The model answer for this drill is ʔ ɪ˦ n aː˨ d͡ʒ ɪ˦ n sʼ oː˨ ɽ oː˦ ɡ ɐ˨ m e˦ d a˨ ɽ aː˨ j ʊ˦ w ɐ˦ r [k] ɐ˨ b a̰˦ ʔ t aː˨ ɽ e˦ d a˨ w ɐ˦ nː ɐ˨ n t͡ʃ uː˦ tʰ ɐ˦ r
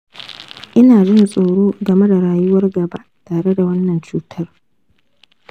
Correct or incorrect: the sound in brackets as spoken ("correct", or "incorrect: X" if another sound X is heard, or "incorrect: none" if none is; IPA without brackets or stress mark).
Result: incorrect: ɡ